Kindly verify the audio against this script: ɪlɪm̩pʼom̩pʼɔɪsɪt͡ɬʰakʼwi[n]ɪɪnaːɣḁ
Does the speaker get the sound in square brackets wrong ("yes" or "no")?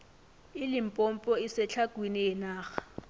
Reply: no